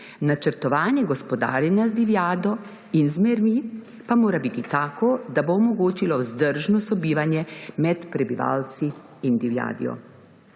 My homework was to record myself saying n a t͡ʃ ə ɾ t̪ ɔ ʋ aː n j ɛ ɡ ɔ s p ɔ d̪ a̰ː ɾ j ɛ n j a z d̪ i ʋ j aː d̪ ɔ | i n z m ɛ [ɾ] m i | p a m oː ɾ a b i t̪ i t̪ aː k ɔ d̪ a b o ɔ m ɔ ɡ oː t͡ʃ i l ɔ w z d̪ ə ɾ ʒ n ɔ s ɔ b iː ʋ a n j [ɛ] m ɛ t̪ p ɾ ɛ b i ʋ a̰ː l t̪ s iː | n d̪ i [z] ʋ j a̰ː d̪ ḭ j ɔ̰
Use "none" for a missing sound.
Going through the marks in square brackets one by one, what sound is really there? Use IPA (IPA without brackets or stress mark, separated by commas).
ɾ, ɛ, none